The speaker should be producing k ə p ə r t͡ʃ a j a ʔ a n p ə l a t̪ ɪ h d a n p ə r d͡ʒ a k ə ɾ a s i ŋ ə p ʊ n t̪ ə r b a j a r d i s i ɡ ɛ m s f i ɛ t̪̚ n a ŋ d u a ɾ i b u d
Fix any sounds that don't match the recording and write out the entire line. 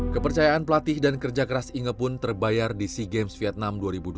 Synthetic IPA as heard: k ə p ə r t͡ʃ a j a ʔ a n p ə l a t̪ ɪ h d a n k ə r d͡ʒ a k ə ɾ a s i ŋ ə p ʊ n t̪ ə r b a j a r d i s i ɡ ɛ m s f i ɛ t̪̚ n a m d u a ɾ i b u d